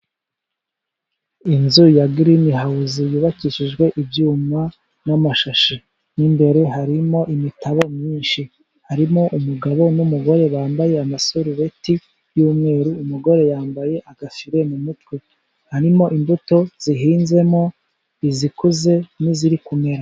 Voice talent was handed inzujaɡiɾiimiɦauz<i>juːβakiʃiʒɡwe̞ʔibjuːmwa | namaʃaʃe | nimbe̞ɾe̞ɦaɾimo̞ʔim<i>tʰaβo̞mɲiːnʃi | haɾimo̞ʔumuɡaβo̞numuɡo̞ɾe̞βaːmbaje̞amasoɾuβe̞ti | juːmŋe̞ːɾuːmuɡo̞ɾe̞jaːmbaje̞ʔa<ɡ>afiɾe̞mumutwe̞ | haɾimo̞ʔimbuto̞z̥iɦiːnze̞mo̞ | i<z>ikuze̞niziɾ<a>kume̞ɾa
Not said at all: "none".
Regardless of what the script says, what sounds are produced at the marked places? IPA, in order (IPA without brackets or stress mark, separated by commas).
i, i, ɡ, z, i